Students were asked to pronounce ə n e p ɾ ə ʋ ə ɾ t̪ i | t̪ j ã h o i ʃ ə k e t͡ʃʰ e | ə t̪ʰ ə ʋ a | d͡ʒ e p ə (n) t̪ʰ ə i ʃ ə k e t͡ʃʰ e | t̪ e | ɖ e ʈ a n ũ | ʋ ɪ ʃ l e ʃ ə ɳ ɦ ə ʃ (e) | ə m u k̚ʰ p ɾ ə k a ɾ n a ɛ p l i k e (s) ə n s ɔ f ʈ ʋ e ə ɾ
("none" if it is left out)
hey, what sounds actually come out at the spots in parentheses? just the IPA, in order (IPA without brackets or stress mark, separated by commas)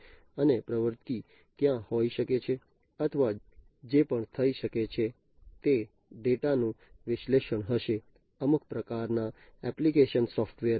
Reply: ɳ, e, ʃ